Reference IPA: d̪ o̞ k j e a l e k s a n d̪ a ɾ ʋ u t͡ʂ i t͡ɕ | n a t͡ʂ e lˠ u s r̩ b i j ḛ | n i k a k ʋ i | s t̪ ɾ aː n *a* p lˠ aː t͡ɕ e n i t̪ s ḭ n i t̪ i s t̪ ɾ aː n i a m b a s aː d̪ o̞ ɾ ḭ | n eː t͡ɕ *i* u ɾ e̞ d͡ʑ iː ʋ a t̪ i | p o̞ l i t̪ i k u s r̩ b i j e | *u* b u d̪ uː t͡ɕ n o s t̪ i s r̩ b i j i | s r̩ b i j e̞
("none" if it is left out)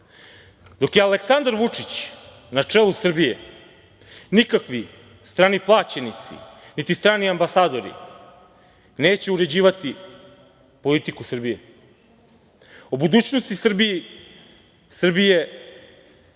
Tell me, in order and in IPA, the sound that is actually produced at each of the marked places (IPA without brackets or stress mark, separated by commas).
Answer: i, e, o